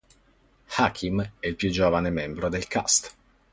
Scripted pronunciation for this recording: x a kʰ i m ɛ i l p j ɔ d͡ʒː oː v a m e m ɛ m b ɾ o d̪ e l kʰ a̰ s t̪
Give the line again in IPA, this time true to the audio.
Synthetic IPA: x a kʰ i m ɛ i l p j u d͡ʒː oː v a n e m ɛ m b ɾ o d̪ e l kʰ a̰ s t̪